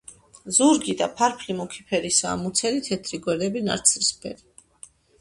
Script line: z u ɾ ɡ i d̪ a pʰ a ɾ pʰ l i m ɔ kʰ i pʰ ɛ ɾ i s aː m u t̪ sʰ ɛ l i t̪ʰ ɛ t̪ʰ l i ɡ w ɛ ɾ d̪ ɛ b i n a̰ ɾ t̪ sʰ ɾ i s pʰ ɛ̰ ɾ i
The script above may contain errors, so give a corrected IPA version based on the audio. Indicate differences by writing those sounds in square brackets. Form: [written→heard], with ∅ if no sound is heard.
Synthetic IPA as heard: z u ɾ ɡ i d̪ a pʰ a ɾ pʰ l i m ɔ kʰ i pʰ ɛ ɾ i s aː m u t̪ sʰ ɛ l i t̪ʰ ɛ t̪ʰ [l→ɾ] i ɡ w ɛ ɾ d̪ ɛ b i n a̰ ɾ t̪ sʰ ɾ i s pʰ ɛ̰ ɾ i